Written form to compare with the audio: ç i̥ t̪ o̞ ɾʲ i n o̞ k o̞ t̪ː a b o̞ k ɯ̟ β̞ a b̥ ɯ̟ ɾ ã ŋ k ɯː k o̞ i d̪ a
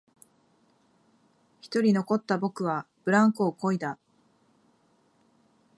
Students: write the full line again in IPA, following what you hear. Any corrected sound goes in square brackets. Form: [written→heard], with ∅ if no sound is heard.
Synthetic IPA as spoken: ç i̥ t̪ o̞ ɾʲ i n o̞ k o̞ t̪ː a b o̞ k ɯ̟ β̞ a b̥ ɯ̟ ɾ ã ŋ k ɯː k o̞ i d̪ a